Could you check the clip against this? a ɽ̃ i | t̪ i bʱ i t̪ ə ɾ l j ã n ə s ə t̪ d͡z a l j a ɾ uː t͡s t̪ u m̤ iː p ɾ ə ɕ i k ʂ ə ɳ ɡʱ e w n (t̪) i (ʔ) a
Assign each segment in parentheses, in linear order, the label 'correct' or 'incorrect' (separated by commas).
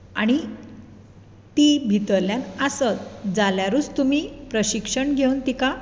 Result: correct, incorrect